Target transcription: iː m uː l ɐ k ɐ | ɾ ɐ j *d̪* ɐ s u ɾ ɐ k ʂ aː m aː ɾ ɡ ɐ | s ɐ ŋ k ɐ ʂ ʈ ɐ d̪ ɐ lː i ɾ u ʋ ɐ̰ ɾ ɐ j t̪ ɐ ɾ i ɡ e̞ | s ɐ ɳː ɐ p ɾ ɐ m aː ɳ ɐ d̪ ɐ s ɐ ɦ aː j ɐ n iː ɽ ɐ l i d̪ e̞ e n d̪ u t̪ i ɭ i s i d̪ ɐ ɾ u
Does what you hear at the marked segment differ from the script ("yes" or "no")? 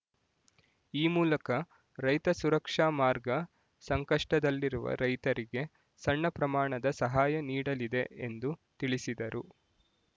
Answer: yes